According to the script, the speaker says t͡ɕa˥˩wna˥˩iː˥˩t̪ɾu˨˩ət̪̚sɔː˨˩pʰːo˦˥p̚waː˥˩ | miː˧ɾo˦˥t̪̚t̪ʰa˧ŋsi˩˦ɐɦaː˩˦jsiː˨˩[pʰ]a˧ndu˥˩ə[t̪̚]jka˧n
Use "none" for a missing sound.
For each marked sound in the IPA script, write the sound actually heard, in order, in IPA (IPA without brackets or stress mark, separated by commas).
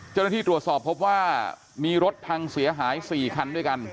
kʰ, none